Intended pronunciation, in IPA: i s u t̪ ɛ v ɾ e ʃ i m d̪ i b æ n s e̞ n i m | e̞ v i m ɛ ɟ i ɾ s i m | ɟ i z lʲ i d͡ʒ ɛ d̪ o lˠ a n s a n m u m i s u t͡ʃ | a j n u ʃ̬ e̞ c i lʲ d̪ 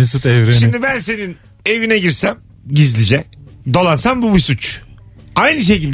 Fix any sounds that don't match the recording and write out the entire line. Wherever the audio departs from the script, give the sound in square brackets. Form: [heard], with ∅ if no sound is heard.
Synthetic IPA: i s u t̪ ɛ v ɾ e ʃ i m d̪ i b æ n s e̞ n i [n] | e̞ v i [n] ɛ ɟ i ɾ s [æ] m | ɟ i z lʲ i d͡ʒ ɛ d̪ o lˠ a n s a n [b] u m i s u t͡ʃ | a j n [ɯ] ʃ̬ e̞ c i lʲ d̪